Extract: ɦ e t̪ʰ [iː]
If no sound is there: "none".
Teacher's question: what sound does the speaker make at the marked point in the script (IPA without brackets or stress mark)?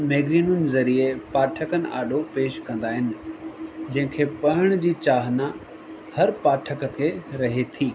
iː